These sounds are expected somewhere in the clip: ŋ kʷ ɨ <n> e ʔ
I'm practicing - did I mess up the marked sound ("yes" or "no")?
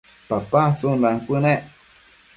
no